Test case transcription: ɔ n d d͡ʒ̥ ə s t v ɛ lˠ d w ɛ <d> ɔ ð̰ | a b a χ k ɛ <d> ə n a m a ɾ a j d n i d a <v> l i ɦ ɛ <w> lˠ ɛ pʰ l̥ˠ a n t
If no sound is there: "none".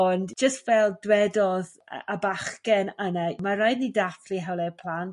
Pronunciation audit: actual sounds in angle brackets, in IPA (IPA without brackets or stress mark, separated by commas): d, n, f, w